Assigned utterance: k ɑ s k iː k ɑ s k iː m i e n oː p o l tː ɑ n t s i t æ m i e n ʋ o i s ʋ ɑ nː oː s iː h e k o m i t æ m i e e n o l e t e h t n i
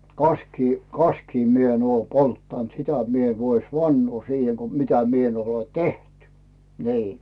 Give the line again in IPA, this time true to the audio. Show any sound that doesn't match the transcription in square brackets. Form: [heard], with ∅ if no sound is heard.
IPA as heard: k ɑ s k iː k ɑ s k iː m i e n oː p o l tː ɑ n t s i t æ m i e n ʋ o i s ʋ ɑ nː oː s iː h e k o m i t æ m i e e n o l e t e h t n [iː]

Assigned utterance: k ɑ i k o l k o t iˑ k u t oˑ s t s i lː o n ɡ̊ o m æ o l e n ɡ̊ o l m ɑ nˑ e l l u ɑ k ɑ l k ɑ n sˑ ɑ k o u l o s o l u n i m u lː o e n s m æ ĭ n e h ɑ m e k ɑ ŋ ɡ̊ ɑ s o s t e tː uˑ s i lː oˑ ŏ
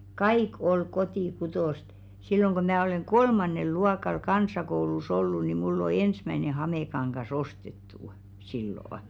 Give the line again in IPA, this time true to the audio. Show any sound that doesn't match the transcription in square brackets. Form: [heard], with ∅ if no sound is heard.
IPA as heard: k ɑ i k o l k o t iˑ k u t oˑ s t s i lː o [ŋ] ɡ̊ o m [æː] o l e [ŋ] ɡ̊ o l m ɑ nˑ e l l u ɑ k ɑ l k ɑ n sˑ ɑ k o u l [u] s o [lː] u n i m u lː o e n s m æ ĭ n e h ɑ m e k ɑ ŋ ɡ̊ ɑ s o s t e tː uˑ s i lː oˑ ŏ

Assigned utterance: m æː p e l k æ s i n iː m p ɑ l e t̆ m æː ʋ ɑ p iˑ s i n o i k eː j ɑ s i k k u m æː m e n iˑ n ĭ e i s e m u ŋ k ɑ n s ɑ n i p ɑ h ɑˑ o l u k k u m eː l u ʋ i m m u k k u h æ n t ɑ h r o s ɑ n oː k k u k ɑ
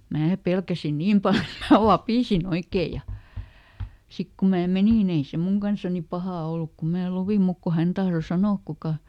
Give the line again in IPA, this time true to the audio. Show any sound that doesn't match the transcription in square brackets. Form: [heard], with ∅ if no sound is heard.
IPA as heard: m æː p e l k æ s i n iː m p ɑ l e t̆ m æː ʋ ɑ p iˑ s i n o i k eː j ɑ s i k k u m æː m e n iˑ n ĭ e i s e m u ŋ k ɑ n s ɑ n i p ɑ h ɑˑ o l u k k u m [æː] l u ʋ i m m u k k u h æ n t ɑ h r o s ɑ n oː k k u k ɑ

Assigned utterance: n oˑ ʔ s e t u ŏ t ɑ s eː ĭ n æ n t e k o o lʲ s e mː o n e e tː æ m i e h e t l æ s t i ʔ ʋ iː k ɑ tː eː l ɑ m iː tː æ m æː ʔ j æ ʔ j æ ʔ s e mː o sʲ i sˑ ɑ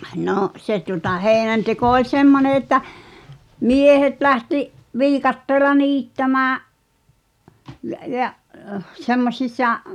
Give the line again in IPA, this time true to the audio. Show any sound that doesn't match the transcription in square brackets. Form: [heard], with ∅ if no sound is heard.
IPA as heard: n oˑ ʔ s e t u ŏ t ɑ [h] eː ĭ n æ n t e k o o lʲ s e mː o n e e tː æ m i e h e t l æ [h] t i ʔ ʋ iː k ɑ tː eː l ɑ [n] iː tː æ m æː ʔ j æ ʔ j æ ʔ s e mː o sʲ i sˑ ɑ

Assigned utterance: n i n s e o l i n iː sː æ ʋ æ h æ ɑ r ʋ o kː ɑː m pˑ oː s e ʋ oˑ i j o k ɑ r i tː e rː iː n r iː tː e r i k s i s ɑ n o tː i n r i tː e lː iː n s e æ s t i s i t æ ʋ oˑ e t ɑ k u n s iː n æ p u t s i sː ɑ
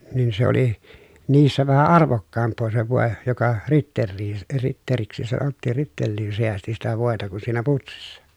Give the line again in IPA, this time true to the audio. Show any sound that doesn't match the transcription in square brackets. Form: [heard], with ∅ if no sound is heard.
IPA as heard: n i n s e o l i n iː sː æ ʋ æ h æ ɑ r ʋ o kː ɑː m pˑ oː s e ʋ oˑ [e] j o k ɑ r i tː e rː iː n r [i] tː e r i k s i s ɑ n o tː [iː] n r i tː e lː iː n s e æ s t i s i t æ ʋ oˑ e t ɑ k u n s iː n æ p u t s i sː ɑ

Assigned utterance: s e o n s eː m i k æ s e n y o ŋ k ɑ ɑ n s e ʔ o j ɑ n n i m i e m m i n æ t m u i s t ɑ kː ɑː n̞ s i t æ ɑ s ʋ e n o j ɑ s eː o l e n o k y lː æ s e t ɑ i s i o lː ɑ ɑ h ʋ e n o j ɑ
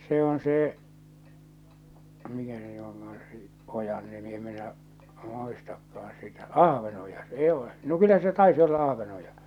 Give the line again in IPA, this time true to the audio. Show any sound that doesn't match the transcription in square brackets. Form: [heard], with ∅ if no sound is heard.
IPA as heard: s e o n s eː m i k æ s e n y o ŋ k ɑ ɑ n s e ʔ o j ɑ n n i m i e m m i n æ [ʔ] m u i s t ɑ kː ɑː n̞ s i t æ ɑ [h] ʋ e n o j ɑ s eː o l e n o k y lː æ s e t ɑ i s i o lː ɑ ɑ h ʋ e n o j ɑ

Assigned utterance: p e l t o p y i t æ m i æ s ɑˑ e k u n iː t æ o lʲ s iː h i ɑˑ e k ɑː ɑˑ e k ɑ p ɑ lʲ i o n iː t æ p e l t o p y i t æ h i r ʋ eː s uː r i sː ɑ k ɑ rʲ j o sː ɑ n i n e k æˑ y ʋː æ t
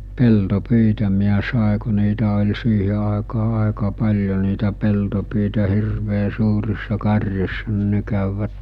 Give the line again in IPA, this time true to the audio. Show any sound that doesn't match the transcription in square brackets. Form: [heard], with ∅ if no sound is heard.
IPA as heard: p e l t o p y i t æ m i æ s ɑˑ e k u n iː t æ o lʲ s iː h [e] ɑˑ e k ɑː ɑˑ e k ɑ p ɑ lʲ [j] o n iː t æ p e l t o p y i t æ h i r ʋ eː s uː r i sː ɑ k ɑ rʲ j o sː ɑ n i n e k æˑ y ʋː æ t

